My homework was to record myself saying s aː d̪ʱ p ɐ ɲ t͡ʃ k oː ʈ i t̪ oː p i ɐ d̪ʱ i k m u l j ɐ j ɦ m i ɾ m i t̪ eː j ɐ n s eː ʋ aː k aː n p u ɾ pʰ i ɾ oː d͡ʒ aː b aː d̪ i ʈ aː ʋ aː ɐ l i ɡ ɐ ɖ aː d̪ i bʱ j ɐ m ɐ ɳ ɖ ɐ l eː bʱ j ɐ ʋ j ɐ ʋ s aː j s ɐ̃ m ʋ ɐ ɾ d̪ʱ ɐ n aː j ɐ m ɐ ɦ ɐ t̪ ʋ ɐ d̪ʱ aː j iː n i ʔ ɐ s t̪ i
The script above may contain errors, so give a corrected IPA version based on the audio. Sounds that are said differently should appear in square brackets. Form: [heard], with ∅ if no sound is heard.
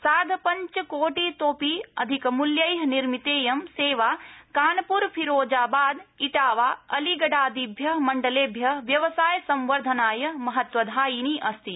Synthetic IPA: s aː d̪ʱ p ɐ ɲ t͡ʃ k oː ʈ i t̪ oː p i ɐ d̪ʱ i k m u l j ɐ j ɦ [n] i ɾ m i t̪ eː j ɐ [m] s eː ʋ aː k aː n p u ɾ pʰ i ɾ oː d͡ʒ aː b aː d̪ i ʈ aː ʋ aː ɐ l i ɡ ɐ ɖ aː d̪ i bʱ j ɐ m ɐ ɳ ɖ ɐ l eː bʱ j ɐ ʋ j ɐ ʋ s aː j s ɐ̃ m ʋ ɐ ɾ d̪ʱ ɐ n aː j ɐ m ɐ ɦ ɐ t̪ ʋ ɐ d̪ʱ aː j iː n i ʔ ɐ s t̪ i